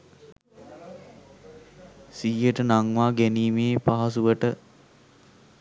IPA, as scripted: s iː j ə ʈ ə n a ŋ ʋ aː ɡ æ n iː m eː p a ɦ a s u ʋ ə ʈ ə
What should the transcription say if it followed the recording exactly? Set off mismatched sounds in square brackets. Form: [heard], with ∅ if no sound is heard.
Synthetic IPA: s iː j ə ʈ ə n a ŋ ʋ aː ɡ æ n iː m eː p a ɦ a s u ʋ ə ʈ ə